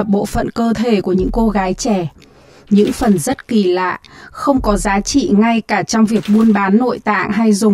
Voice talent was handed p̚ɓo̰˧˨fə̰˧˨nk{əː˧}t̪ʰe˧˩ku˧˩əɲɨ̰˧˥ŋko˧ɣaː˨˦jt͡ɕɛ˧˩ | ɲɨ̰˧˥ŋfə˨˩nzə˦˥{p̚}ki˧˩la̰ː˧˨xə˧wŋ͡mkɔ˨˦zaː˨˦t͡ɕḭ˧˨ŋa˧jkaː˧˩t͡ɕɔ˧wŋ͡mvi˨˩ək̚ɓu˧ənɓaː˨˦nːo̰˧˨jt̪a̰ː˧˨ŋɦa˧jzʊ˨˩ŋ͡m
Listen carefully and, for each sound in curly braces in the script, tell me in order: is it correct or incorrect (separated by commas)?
correct, incorrect